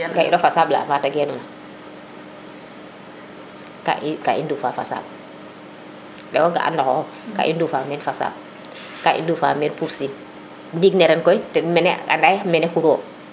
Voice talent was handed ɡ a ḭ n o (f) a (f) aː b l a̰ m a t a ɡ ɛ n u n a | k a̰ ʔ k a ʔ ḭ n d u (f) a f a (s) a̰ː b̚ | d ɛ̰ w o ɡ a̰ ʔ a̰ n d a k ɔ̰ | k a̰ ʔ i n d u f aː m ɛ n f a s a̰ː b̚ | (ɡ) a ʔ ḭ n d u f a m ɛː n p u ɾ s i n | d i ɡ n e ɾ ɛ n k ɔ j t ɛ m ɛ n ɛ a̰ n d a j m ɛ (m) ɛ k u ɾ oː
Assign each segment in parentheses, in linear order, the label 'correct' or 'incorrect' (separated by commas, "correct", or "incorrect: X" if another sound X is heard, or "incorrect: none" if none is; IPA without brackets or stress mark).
correct, incorrect: s, correct, correct, incorrect: k, incorrect: n